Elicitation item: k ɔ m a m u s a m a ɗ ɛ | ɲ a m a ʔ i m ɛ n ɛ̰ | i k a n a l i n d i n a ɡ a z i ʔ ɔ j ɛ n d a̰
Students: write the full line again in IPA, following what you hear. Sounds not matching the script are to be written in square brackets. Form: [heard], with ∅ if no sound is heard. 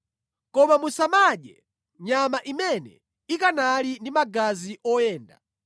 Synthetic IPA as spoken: k ɔ m a m u s a m a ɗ ɛ | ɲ a m a ʔ i m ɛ n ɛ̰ | i k a n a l i n d i [m] a ɡ a z i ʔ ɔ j [ɛː] n d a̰